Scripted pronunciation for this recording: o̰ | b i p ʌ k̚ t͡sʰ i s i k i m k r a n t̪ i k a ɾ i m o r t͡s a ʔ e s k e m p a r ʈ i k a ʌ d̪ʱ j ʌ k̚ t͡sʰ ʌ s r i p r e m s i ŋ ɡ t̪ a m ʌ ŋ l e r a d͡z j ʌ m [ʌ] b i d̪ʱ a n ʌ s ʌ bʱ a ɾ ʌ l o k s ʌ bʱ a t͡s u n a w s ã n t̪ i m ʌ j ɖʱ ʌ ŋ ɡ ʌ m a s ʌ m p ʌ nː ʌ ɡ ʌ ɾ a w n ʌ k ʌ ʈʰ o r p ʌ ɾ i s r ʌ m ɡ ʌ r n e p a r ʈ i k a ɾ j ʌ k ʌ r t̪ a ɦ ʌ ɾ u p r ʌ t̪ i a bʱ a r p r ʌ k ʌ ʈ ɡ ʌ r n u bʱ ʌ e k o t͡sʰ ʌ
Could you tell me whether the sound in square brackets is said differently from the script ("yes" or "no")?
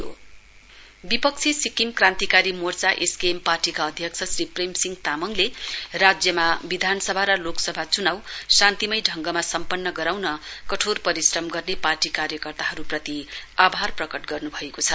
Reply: yes